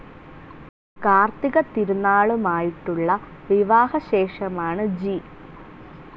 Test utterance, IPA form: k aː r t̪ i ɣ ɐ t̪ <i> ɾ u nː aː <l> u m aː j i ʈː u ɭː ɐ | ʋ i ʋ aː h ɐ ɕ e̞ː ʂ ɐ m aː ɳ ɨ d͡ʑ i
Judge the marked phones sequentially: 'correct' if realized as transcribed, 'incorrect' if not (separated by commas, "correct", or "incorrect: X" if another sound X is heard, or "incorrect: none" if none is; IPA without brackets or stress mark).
correct, incorrect: ɭ